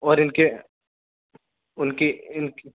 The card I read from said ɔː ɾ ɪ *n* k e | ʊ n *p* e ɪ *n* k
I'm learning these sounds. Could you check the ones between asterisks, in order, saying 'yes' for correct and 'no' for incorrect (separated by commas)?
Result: yes, no, yes